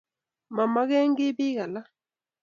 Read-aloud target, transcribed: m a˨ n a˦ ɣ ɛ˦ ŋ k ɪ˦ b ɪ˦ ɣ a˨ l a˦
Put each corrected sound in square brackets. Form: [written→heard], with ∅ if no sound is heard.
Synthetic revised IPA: m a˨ [n→m] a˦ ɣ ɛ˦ ŋ [k→ɡ] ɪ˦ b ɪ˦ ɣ a˨ l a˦